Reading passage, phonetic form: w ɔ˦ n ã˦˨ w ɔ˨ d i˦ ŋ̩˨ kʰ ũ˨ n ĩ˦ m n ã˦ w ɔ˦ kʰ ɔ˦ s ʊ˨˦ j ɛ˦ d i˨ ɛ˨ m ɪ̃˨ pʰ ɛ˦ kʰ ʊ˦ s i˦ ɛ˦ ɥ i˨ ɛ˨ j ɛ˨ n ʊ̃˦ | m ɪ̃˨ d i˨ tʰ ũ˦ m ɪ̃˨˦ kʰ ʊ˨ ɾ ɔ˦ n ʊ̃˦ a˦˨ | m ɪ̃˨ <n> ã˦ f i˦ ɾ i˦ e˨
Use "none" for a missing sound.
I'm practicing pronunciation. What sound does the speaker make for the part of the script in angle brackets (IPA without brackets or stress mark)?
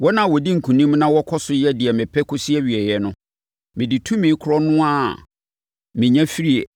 ɲ